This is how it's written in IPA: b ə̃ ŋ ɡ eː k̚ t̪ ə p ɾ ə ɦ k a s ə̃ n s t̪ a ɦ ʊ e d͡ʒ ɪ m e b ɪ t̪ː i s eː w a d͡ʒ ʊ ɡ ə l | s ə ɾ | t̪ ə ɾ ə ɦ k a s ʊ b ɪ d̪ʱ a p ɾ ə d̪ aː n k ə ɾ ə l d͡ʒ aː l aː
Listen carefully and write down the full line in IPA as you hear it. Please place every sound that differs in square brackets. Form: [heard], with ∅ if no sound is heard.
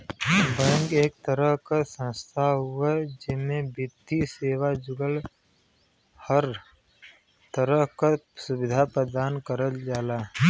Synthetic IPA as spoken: b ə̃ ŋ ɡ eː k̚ t̪ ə [∅] ɾ ə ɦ k a s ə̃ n s [t̪ʰ] a ɦ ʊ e d͡ʒ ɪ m e b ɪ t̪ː i s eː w a d͡ʒ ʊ ɡ ə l | [h] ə ɾ | t̪ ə ɾ ə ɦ k a s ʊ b ɪ d̪ʱ a p ɾ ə d̪ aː n k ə ɾ ə l d͡ʒ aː l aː